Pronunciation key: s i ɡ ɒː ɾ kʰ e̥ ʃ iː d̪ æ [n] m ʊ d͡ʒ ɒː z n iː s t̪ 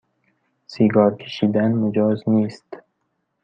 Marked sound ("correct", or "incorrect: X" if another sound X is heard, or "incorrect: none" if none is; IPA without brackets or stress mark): correct